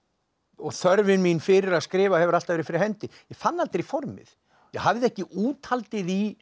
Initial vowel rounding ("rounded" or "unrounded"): rounded